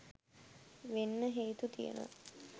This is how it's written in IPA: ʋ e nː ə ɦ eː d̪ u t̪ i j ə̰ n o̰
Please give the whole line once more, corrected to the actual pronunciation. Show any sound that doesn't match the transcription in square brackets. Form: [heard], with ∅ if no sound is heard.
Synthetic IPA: ʋ e nː ə ɦ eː [t̪] u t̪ i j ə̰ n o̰

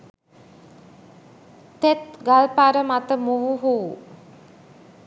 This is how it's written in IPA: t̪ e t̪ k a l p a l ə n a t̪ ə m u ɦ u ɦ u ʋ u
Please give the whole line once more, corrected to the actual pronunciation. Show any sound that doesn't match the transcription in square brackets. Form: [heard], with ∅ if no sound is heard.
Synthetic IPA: t̪ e t̪ [ɡ] a l p a [ɾ] ə [m] a t̪ ə m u ɦ u ɦ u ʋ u

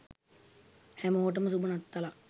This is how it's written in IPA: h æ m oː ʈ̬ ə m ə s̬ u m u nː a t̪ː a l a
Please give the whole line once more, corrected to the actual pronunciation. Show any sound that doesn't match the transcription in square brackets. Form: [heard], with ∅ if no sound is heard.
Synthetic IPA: h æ m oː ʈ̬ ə m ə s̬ u [b] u [n] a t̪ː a l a

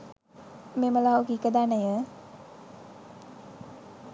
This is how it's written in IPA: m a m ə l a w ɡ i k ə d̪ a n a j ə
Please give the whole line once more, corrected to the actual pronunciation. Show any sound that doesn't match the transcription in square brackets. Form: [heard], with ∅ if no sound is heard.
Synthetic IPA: m [e] m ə l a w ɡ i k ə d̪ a n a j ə

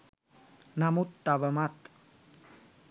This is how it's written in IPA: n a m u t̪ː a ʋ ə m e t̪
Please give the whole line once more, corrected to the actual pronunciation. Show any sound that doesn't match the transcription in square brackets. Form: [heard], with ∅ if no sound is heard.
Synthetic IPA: n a m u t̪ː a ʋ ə m [a] t̪

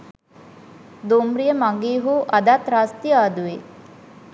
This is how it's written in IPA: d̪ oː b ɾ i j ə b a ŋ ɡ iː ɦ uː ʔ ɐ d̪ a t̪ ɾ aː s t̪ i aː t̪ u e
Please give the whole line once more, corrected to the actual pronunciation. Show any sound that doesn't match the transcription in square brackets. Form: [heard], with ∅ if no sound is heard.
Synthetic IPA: d̪ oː [m] ɾ i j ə [m] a ŋ ɡ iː ɦ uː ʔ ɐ d̪ a t̪ ɾ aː s t̪ i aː [d̪] u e

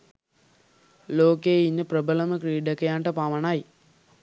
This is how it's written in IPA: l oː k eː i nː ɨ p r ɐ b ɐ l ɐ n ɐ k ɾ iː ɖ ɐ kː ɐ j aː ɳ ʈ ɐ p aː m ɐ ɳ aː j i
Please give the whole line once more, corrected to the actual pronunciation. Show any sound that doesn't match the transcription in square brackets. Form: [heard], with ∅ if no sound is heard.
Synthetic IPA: l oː k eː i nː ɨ p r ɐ b ɐ l ɐ [m] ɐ k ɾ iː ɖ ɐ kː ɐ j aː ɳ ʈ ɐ p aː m ɐ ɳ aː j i

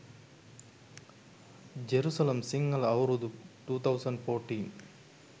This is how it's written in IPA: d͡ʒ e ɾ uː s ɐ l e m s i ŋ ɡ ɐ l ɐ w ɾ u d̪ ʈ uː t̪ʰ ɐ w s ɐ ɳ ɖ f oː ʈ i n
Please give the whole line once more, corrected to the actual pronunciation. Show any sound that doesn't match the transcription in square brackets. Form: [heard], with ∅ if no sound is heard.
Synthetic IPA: d͡ʒ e ɾ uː s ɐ l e m s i ŋ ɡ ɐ l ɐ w ɾ u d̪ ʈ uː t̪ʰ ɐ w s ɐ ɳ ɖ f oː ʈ i n

